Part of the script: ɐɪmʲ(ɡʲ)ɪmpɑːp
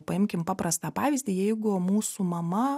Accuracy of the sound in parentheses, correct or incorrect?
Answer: incorrect